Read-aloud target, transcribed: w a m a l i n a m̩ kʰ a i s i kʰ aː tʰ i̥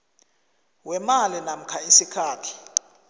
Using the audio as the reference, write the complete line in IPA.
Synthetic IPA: w ɛ m a l i n a m̩ kʰ a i s i kʰ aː tʰ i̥